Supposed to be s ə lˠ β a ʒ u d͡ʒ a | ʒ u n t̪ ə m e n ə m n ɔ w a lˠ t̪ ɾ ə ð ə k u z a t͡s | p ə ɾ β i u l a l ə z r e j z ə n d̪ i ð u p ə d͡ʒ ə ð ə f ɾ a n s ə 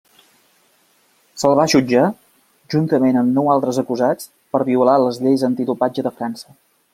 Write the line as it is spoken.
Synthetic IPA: s ə lˠ β a ʒ u d͡ʒ a | ʒ u n t̪ ə m e n ə m n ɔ w a lˠ t̪ ɾ ə z ə k u z a t͡s | p ə ɾ β i u l a l ə z ʎ e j z ə n t̪ i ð u p a d͡ʒ ə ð ə f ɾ a n s ə